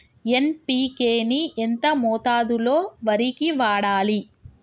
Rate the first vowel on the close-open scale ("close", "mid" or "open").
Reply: mid